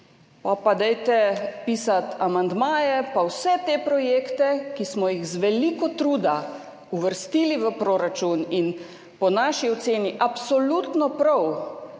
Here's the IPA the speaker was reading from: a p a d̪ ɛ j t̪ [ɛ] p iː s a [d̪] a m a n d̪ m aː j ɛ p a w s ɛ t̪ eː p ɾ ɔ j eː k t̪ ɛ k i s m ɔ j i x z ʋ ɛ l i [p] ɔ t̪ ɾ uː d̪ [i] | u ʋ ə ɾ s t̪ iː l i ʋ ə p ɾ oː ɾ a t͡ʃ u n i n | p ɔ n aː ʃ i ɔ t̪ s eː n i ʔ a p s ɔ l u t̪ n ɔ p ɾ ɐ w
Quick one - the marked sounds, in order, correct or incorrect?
correct, incorrect, incorrect, incorrect

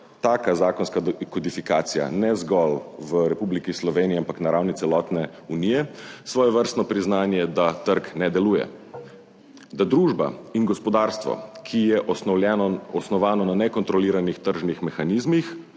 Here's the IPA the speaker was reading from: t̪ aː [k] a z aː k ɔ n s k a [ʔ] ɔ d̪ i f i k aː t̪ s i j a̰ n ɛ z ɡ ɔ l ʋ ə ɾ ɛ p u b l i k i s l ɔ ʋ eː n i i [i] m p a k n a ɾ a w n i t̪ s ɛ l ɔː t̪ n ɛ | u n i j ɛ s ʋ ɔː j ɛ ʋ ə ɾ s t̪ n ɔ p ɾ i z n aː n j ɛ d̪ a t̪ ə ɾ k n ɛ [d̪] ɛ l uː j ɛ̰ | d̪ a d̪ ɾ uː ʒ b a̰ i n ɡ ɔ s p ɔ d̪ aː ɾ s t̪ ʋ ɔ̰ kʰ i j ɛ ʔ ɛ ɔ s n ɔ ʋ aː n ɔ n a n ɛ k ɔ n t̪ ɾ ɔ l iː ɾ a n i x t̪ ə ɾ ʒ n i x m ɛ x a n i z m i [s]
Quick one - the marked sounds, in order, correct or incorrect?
correct, incorrect, incorrect, correct, incorrect

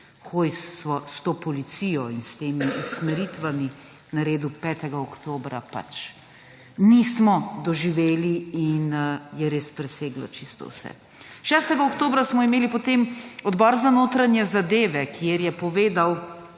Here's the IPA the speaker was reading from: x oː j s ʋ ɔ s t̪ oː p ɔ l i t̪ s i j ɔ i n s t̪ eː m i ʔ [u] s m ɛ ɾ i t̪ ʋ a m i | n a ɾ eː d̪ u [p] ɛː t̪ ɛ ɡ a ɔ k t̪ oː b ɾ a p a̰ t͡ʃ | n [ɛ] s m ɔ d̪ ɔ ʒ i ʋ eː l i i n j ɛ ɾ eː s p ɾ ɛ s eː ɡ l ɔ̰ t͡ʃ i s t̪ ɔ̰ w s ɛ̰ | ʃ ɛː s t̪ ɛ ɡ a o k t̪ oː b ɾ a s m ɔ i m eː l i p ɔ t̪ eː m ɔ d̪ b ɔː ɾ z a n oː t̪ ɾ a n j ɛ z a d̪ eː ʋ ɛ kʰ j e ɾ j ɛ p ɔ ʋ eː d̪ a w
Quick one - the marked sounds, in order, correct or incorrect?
correct, correct, incorrect

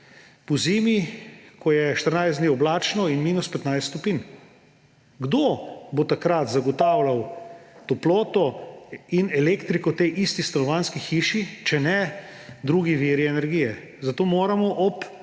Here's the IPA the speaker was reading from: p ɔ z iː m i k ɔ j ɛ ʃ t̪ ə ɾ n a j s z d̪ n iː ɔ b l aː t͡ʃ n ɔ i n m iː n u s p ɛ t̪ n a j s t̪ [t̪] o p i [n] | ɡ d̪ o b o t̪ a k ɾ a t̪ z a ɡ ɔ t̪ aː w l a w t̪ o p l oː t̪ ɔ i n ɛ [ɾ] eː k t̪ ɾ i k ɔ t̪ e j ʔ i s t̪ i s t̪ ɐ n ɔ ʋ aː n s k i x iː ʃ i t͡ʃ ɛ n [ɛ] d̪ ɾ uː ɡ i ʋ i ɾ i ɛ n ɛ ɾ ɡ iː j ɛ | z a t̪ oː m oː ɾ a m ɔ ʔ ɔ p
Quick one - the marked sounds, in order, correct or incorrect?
correct, correct, incorrect, correct

